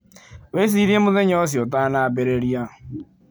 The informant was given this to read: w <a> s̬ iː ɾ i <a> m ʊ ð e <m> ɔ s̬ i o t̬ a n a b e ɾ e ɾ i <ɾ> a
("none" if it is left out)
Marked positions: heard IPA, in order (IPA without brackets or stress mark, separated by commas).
e, e, ɲ, none